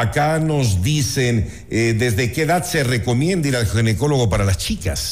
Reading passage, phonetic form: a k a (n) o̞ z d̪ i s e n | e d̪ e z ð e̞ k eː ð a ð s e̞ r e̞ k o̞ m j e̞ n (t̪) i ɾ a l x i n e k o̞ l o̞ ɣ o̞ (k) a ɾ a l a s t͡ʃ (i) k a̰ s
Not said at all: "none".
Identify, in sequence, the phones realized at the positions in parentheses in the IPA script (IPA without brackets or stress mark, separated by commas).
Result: n, d̪, p, i